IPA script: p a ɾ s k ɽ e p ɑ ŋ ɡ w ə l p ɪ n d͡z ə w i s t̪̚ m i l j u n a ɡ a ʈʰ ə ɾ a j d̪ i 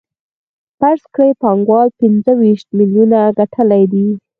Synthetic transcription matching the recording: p a ɾ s k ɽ e p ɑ ŋ ɡ w ɑ l p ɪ n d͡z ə w i ʃ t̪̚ m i l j u n a ɡ a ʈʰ ə l a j d̪ i